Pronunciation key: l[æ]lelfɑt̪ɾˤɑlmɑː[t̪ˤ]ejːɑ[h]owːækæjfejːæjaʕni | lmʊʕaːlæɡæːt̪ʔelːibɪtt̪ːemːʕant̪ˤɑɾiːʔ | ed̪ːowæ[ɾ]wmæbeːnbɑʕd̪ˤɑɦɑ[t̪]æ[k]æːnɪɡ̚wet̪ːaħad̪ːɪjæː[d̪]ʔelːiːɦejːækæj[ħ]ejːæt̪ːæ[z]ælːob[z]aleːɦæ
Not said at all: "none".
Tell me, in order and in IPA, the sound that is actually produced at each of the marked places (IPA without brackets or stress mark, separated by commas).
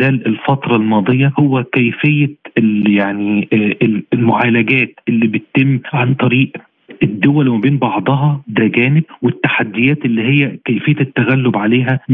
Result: æː, d̪ˤ, h, l, d̪, ɡ, t̪, f, ɣ, ʕ